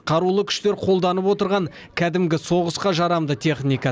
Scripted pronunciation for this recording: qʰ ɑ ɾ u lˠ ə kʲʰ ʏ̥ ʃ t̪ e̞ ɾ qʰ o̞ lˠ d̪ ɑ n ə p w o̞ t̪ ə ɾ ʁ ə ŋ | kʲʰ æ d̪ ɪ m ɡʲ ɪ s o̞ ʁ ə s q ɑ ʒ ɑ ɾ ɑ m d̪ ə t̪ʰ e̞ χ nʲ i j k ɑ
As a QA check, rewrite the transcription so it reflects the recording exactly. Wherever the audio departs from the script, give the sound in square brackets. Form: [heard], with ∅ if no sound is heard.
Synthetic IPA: qʰ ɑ ɾ u lˠ ə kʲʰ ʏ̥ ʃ t̪ e̞ ɾ qʰ o̞ lˠ d̪ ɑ n ə p w o̞ t̪ ə ɾ ʁ [ɑ] ŋ | kʲʰ æ d̪ ɪ m ɡʲ ɪ s o̞ ʁ ə s q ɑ ʒ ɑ ɾ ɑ m d̪ ə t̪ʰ e̞ χ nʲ i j k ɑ